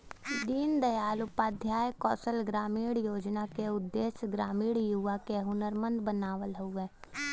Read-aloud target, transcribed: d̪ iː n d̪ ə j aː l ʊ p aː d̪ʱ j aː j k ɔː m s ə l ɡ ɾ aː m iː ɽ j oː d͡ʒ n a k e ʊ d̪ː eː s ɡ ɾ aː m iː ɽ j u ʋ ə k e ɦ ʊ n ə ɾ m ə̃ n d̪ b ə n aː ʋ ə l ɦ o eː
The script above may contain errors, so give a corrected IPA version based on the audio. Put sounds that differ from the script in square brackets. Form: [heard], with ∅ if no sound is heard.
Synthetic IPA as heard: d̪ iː n d̪ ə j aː l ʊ p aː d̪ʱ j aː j k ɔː [∅] s ə l ɡ ɾ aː m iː ɽ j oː d͡ʒ n a k e ʊ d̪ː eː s ɡ ɾ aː m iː ɽ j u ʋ [a] k e ɦ ʊ n ə ɾ m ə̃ n d̪ b ə n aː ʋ ə l ɦ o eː